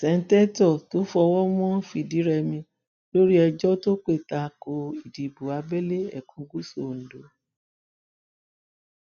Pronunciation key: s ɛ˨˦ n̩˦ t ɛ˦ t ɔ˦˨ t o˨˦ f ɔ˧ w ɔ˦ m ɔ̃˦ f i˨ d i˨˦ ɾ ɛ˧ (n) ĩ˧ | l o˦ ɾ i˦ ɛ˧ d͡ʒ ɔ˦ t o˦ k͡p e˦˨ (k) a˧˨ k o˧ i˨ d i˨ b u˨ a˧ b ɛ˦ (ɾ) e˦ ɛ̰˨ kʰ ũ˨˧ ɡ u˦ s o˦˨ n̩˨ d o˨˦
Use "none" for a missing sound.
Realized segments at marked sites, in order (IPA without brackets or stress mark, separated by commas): m, t, l